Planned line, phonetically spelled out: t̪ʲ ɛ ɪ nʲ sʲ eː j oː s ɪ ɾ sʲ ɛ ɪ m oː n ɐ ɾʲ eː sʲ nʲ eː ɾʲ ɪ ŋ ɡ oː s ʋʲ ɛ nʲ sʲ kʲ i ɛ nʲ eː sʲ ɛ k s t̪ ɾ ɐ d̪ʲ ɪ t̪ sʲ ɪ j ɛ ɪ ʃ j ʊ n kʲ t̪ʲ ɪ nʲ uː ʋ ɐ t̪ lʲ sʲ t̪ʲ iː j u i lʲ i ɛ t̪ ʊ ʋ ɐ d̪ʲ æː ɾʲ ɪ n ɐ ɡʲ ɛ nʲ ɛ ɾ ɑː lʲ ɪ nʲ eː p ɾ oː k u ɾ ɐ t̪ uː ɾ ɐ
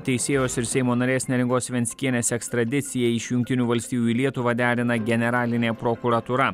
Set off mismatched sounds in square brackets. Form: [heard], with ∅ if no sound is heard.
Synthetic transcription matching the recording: t̪ʲ ɛ ɪ [∅] sʲ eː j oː s ɪ ɾ sʲ ɛ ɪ m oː n ɐ ɾʲ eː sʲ nʲ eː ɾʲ ɪ ŋ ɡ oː s ʋʲ ɛ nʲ sʲ kʲ i ɛ nʲ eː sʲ ɛ k s t̪ ɾ ɐ d̪ʲ ɪ t̪ sʲ ɪ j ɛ ɪ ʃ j ʊ [ŋ] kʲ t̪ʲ ɪ nʲ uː ʋ ɐ [∅] lʲ sʲ t̪ʲ iː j u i lʲ i ɛ t̪ ʊ ʋ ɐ d̪ʲ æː ɾʲ ɪ n ɐ ɡʲ ɛ nʲ ɛ ɾ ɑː lʲ ɪ nʲ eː p ɾ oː k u ɾ ɐ t̪ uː ɾ ɐ